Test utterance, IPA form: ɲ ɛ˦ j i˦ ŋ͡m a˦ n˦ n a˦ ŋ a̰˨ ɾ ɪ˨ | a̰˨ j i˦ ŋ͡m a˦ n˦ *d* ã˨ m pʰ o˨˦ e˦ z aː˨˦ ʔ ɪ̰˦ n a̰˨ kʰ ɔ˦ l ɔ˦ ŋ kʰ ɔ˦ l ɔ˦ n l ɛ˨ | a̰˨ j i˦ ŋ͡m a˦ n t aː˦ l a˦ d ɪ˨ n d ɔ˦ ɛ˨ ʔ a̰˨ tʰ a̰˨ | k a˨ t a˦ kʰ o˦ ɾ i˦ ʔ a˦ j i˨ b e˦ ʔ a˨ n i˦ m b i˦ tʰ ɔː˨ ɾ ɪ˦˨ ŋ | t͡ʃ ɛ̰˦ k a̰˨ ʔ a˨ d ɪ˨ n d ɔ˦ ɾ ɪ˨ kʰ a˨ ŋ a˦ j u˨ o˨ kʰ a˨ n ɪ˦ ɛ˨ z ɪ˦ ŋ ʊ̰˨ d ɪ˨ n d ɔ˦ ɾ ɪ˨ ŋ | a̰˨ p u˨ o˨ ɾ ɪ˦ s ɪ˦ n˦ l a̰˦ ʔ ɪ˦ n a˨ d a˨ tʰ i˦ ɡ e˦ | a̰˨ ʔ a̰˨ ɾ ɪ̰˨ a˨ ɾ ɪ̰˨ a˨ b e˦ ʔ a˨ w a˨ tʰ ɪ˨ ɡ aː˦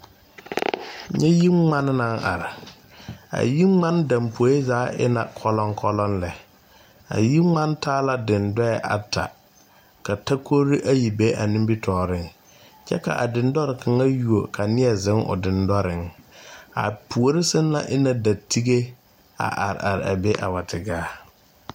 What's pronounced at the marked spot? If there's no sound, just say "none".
d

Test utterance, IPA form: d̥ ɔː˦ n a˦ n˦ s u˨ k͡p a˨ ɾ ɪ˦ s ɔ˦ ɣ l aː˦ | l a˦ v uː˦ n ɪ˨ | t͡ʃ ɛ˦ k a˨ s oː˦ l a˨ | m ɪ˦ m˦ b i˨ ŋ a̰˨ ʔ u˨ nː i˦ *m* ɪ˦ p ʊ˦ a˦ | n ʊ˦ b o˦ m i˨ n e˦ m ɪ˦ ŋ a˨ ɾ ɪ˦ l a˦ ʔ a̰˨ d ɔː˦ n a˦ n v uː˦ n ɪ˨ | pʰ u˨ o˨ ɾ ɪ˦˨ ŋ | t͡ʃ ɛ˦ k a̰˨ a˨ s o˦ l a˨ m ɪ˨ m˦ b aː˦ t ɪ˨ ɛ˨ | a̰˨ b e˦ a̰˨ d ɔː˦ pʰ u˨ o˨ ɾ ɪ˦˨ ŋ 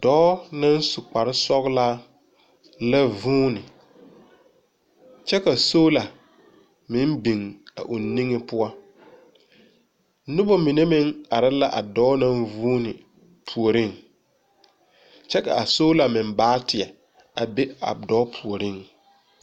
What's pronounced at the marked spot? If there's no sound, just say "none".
ŋ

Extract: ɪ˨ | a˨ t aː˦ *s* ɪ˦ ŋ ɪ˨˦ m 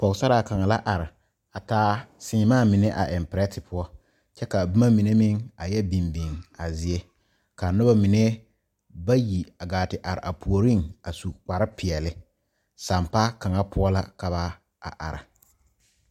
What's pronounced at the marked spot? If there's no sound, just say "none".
s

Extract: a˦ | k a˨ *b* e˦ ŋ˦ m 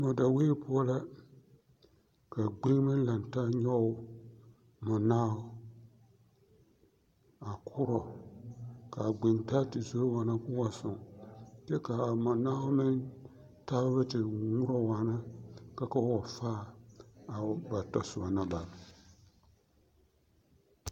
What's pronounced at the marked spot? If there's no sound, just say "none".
ɡ͡b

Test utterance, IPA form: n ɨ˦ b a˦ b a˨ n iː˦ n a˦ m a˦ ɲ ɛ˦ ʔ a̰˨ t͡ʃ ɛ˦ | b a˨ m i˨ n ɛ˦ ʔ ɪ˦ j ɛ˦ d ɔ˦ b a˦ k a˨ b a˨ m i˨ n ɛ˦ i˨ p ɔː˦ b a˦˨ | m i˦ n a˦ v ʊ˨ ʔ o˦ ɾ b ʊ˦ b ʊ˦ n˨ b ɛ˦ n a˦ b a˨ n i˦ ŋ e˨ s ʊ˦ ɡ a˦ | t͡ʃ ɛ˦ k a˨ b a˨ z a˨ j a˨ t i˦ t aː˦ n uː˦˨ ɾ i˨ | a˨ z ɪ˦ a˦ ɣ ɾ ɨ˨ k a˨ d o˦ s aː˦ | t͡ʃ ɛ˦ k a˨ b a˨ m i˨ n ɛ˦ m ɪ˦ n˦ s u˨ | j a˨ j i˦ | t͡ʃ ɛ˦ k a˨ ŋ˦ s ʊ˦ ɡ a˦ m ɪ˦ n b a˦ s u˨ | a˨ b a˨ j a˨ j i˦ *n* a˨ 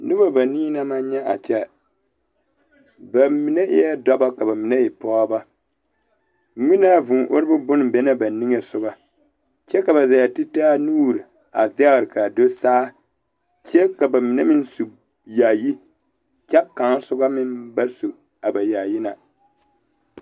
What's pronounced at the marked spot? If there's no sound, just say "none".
n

